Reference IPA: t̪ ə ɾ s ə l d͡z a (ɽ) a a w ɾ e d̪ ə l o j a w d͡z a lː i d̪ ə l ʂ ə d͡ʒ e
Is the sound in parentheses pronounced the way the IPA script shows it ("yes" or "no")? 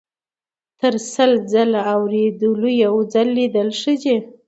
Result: no